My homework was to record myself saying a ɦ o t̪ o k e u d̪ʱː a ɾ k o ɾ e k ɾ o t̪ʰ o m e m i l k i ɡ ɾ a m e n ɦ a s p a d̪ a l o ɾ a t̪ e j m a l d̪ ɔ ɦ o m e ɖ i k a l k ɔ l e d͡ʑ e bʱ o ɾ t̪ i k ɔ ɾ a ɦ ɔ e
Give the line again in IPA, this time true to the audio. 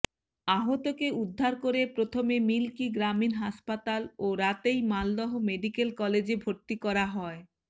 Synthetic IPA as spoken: a ɦ o t̪ o k e u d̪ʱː a ɾ k o ɾ e p ɾ o t̪ʰ o m e m i l k i ɡ ɾ a m i n ɦ a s p a t̪ a l o ɾ a t̪ e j m a l d̪ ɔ ɦ o m e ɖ i k e l k ɔ l e d͡ʑ e bʱ o ɾ t̪ i k ɔ ɾ a ɦ ɔ e